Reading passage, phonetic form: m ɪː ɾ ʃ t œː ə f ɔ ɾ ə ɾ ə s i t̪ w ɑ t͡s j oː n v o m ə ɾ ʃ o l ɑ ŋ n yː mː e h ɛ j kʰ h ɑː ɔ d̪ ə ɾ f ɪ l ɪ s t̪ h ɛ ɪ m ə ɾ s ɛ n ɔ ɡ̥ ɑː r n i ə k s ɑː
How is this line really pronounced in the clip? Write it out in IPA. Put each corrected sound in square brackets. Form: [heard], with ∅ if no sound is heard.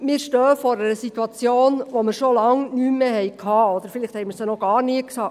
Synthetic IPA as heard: m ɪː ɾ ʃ t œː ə f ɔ ɾ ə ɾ ə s i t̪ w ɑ t͡s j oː n [ʋ] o m ə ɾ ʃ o l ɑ ŋ n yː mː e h ɛ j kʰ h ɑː ɔ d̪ ə ɾ f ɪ l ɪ [χ] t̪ h ɛ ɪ m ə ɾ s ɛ n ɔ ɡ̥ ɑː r n i ə k s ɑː